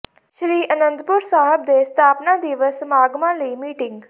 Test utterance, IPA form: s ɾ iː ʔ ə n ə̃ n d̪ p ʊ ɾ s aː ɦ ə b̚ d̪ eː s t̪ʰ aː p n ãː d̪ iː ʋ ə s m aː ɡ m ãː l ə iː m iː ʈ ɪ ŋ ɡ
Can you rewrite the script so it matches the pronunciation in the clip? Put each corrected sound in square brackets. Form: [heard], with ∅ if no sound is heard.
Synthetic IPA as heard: [ʃ] ɾ iː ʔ ə n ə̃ n d̪ p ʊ ɾ s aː ɦ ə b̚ d̪ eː s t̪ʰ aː p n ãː d̪ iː ʋ ə s m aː ɡ m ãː l ə iː m iː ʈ ɪ ŋ ɡ